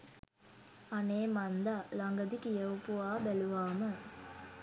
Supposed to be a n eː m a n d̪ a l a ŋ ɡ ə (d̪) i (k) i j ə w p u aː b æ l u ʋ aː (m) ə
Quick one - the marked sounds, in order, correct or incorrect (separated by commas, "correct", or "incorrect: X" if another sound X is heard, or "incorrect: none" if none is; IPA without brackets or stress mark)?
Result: correct, correct, correct